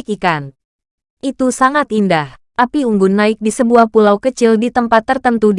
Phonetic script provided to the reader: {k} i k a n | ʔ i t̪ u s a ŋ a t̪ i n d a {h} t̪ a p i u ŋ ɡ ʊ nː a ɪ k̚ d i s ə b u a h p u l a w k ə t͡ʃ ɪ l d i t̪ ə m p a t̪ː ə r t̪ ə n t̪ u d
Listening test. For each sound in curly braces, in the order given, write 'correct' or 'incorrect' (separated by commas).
correct, correct